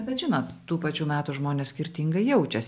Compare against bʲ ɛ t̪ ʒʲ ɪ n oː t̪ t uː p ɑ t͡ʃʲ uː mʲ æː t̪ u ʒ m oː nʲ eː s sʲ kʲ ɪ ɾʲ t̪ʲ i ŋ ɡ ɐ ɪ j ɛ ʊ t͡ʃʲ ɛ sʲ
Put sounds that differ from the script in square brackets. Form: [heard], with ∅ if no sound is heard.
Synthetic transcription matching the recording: bʲ ɛ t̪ ʒʲ ɪ n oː t̪ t uː p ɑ t͡ʃʲ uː mʲ æː t̪ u ʒ m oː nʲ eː s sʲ kʲ ɪ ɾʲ t̪ʲ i ŋ ɡ ɐ ɪ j ɛ ʊ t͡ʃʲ ɛ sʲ